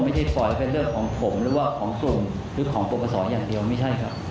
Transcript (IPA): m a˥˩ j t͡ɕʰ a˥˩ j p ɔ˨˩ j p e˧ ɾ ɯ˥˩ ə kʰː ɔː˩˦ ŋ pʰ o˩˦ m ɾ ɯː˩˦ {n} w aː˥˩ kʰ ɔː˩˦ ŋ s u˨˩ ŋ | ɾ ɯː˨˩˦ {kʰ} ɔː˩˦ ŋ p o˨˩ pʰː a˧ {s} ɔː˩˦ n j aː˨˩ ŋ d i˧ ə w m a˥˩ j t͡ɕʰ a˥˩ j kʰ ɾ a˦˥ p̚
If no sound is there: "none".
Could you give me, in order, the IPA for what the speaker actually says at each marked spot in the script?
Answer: none, kʰ, s

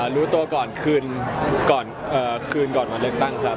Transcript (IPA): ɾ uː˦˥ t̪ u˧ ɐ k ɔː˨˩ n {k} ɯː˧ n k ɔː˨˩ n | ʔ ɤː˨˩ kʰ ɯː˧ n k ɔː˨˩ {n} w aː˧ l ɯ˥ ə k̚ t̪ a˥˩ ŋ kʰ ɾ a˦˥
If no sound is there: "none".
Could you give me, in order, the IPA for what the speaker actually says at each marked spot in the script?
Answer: kʰ, n

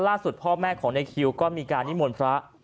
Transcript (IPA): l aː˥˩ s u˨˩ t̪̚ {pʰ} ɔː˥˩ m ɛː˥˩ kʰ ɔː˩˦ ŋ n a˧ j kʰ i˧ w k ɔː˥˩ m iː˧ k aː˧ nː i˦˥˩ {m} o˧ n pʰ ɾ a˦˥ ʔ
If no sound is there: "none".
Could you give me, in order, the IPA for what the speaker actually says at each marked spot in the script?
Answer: pʰ, m

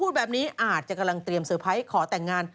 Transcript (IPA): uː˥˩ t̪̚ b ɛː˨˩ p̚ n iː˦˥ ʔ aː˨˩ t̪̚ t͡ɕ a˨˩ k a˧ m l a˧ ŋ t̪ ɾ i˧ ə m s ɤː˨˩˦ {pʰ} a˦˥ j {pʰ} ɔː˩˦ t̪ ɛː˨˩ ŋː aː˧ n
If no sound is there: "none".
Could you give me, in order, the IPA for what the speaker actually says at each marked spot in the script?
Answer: pʰ, kʰ

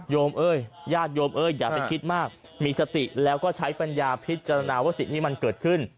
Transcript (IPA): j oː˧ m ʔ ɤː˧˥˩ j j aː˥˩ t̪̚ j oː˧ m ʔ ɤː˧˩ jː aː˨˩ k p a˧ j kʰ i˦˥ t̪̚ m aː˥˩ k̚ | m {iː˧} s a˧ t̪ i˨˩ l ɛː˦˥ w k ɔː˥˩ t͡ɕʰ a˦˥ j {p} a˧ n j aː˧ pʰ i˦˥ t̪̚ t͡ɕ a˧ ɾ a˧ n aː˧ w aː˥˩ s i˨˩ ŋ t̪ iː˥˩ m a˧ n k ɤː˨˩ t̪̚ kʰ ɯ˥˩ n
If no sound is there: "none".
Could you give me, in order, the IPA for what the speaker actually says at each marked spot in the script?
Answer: iː˧, p

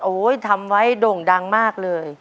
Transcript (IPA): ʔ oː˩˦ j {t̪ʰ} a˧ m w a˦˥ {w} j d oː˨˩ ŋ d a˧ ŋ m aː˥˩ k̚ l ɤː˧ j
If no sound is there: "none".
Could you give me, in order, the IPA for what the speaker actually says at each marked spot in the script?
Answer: t̪ʰ, none

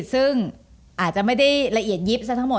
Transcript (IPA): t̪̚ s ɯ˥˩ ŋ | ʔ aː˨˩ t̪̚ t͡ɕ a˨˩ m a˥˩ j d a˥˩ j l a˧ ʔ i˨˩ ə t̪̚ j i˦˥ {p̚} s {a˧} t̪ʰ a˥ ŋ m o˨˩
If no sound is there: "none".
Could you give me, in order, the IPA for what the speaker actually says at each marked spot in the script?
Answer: p̚, a˦˥

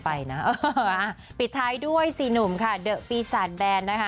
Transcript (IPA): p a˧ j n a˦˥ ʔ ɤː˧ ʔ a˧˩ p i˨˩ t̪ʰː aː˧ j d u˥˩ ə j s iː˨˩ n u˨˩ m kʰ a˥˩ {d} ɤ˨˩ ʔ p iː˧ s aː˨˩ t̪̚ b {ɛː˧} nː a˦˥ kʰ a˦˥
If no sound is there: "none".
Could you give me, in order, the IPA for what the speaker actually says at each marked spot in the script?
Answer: d, ɛː˧

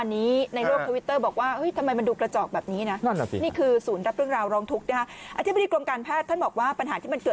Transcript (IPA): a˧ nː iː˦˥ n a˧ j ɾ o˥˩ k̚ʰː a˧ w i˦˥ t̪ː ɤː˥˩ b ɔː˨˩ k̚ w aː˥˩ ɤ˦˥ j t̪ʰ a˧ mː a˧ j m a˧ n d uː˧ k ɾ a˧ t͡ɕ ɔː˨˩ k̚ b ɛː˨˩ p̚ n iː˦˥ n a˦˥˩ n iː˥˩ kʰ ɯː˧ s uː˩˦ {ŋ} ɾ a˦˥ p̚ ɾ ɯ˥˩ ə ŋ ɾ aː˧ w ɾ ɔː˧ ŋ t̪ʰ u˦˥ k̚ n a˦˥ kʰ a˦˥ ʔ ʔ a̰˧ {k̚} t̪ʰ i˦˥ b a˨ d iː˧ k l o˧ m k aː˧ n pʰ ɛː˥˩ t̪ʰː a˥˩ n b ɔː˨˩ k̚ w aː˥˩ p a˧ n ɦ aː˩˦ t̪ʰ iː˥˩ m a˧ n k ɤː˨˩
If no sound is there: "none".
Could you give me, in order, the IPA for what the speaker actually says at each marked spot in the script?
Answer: n, none

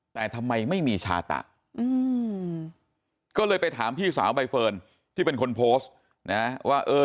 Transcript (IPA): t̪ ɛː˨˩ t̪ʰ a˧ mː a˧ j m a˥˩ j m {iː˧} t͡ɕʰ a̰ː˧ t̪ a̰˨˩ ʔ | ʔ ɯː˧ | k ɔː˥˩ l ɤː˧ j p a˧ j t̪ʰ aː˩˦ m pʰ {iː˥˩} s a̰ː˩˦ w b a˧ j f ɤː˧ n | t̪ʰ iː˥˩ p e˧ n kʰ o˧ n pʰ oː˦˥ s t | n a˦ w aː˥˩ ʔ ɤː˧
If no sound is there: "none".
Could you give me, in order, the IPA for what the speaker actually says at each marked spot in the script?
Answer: iː˧, iː˥˩

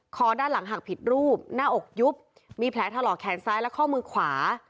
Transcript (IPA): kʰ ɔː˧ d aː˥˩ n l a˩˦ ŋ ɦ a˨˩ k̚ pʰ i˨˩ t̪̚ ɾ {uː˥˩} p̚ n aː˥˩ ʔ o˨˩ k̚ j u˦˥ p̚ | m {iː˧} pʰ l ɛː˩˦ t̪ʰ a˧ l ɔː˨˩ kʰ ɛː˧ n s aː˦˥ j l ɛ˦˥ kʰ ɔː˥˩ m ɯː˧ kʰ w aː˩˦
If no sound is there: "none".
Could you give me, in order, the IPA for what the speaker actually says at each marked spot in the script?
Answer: uː˥˩, iː˧

